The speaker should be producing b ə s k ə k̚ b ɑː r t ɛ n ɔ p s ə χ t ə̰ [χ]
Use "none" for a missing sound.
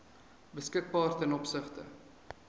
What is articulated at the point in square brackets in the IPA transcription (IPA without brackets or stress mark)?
none